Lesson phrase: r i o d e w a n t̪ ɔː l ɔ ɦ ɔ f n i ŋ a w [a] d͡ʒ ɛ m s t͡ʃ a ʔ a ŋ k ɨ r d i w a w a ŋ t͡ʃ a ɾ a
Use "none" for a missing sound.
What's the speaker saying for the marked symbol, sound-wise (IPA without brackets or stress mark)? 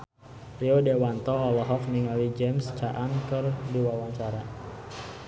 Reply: i